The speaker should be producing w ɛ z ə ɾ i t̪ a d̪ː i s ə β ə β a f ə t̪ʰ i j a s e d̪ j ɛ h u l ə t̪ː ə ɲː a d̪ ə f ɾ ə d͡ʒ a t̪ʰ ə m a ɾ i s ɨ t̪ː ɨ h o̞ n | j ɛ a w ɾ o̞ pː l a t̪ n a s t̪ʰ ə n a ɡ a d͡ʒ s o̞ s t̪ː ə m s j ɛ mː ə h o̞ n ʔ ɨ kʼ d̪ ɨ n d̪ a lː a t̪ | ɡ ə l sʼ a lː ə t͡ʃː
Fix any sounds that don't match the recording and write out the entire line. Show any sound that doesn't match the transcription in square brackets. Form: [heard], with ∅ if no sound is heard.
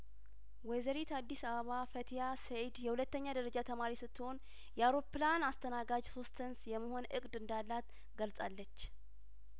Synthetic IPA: w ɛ z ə ɾ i t̪ a d̪ː i s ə β ə β a f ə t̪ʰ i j a s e d̪ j ɛ h u l ə t̪ː ə ɲː a d̪ ə [∅] ɾ ə d͡ʒ a t̪ʰ ə m a ɾ i s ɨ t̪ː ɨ h o̞ n | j ɛ a w ɾ o̞ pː l a [∅] n a s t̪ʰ ə n a ɡ a d͡ʒ s o̞ s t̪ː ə [n] s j ɛ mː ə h o̞ n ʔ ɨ kʼ d̪ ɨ n d̪ a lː a t̪ | ɡ ə l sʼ a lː ə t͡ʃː

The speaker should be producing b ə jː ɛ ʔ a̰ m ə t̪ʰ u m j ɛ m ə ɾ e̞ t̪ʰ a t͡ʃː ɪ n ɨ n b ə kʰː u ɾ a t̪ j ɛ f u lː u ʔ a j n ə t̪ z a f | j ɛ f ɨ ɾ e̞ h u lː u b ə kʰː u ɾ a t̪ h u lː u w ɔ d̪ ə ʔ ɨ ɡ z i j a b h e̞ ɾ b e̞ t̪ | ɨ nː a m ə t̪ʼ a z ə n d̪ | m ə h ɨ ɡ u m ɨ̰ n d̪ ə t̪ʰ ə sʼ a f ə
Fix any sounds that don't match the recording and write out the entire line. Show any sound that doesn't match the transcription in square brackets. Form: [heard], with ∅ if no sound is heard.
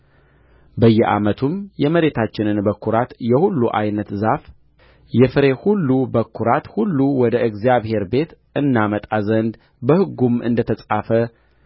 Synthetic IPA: b ə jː ɛ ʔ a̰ m ə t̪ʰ u m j ɛ m ə ɾ e̞ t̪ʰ a t͡ʃː ɪ n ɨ n b ə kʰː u ɾ a t̪ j ɛ [h] u lː u ʔ a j n ə t̪ z a f | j ɛ f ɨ ɾ e̞ h u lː u b ə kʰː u ɾ a t̪ h u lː u w ɔ d̪ ə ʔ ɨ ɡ z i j a [β] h e̞ ɾ b e̞ t̪ | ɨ nː a m ə t̪ʼ a z ə n d̪ | [b] ə h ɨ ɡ u m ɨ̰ n d̪ ə t̪ʰ ə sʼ a f ə

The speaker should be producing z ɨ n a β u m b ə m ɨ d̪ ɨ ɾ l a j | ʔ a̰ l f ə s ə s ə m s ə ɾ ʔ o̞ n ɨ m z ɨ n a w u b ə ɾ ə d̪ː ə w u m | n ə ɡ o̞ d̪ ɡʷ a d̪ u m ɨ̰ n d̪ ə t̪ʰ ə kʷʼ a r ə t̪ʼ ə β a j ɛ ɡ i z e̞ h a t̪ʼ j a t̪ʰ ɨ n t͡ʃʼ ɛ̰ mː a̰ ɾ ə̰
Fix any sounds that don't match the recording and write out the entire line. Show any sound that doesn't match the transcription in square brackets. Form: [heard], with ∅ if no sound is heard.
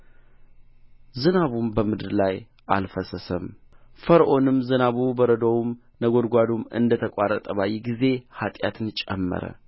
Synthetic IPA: z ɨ n a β u m b ə m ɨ d̪ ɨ ɾ l a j | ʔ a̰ l f ə s ə s ə m [f] ə ɾ ʔ o̞ n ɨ m z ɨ n a [β] u b ə ɾ ə [d̪] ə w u m | n ə ɡ o̞ d̪ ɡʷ a d̪ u m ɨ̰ n d̪ ə t̪ʰ ə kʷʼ a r ə t̪ʼ ə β a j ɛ ɡ i z e̞ h a t̪ʼ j a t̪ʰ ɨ n t͡ʃʼ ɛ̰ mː [ə̰] ɾ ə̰

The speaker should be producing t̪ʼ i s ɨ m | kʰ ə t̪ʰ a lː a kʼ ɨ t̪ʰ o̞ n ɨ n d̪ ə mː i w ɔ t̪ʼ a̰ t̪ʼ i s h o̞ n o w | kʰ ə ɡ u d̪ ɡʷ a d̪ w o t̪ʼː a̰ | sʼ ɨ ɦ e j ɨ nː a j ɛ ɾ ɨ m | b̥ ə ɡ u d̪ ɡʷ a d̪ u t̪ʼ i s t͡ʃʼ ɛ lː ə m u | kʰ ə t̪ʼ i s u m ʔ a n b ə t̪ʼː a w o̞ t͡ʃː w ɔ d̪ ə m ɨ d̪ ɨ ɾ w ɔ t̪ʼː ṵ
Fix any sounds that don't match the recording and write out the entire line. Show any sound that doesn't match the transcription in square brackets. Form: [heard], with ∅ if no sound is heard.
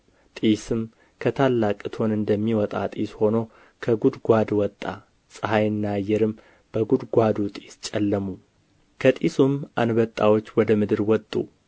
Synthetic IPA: t̪ʼ i s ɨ m | kʰ ə t̪ʰ a lː a kʼ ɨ t̪ʰ o̞ n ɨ n d̪ ə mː i w ɔ t̪ʼ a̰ t̪ʼ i s h o̞ n o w | kʰ ə ɡ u d̪ ɡʷ a d̪ w [ɔ] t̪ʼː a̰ | sʼ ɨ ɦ [a] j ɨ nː a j ɛ ɾ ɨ m | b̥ ə ɡ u d̪ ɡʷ a d̪ u t̪ʼ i s t͡ʃʼ ɛ lː ə m u | kʰ ə t̪ʼ i s u m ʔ a n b ə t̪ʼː a w o̞ t͡ʃː w ɔ d̪ ə m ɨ d̪ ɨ ɾ w ɔ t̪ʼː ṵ

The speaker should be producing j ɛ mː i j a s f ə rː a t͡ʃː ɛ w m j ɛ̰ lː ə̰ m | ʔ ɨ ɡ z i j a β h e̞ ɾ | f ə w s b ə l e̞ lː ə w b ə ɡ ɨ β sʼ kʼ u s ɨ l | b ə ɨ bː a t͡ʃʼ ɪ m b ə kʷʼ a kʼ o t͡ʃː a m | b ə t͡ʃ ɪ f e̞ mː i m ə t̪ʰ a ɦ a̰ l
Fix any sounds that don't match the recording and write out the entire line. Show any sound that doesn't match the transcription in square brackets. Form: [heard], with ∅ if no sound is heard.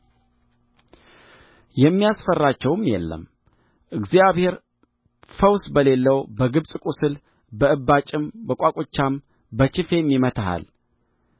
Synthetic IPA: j ɛ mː i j a s f ə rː a t͡ʃː ɛ w m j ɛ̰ lː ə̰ m | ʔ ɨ ɡ z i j a β h e̞ ɾ | f ə w s b ə l e̞ lː ə w b ə ɡ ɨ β sʼ kʼ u s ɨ l | b ə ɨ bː a t͡ʃʼ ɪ m b ə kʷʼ a kʼ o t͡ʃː a m | b ə t͡ʃ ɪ f e̞ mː i m ə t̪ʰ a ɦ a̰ l

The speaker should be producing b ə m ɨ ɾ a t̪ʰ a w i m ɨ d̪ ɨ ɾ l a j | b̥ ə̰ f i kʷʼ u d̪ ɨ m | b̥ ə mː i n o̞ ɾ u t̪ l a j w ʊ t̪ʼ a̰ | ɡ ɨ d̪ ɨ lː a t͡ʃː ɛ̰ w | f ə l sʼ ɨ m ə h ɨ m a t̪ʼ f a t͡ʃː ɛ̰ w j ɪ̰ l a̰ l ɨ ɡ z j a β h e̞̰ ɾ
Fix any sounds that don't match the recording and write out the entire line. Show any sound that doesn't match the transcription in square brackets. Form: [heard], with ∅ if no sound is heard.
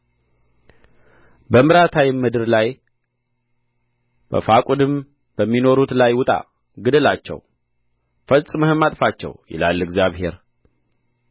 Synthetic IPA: b ə m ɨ ɾ a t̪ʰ a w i m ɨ d̪ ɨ ɾ l a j | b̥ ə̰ f [a] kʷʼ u d̪ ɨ m | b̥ ə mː i n o̞ ɾ u t̪ l a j w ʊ t̪ʼ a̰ | ɡ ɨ d̪ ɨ [l] a t͡ʃː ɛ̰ w | f ə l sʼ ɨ m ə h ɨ m a t̪ʼ f a t͡ʃː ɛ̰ w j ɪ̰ l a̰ l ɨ ɡ z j a β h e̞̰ ɾ

